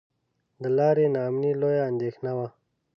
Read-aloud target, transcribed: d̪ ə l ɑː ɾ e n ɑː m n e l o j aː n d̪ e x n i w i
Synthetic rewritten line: d̪ ə l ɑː ɾ e n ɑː m n i l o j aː n d̪ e x n a w a